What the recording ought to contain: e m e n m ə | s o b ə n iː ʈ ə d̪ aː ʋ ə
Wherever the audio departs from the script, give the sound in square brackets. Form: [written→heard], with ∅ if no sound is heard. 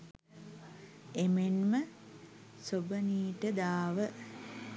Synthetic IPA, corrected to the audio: e m e n m ə | s o b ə n iː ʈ ə d̪ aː ʋ ə